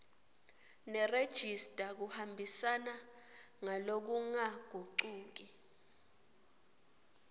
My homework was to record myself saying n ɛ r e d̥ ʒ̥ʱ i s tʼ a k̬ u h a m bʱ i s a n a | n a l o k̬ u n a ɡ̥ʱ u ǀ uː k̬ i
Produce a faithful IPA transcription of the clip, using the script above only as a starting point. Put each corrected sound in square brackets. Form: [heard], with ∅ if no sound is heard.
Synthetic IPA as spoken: n ɛ r e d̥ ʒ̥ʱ i s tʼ a k̬ u h a m bʱ i s a n a | [ŋ] a l o k̬ u [ŋ] a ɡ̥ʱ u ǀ uː k̬ i